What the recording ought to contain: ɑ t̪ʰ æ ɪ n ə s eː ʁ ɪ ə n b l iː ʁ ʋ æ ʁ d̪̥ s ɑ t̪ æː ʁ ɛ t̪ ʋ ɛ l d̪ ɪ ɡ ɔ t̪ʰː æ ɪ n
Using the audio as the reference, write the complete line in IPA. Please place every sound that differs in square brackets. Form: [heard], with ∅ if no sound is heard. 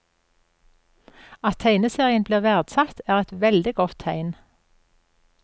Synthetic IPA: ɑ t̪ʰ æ ɪ n ə s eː ʁ ɪ ə n b l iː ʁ ʋ æ ʁ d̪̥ s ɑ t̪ æː ʁ ɛ t̪ ʋ ɛ l d̪ ɪ ɡ ɔ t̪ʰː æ ɪ n